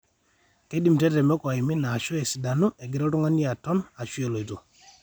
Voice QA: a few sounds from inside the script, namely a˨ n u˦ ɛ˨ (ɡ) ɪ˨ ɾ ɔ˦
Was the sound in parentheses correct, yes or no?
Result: yes